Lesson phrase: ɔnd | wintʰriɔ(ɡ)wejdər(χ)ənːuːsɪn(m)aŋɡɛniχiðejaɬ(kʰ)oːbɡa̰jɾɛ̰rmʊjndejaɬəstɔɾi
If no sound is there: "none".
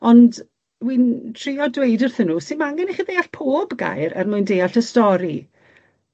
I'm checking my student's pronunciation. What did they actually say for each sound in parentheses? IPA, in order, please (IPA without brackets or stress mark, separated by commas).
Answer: d, θ, m, pʰ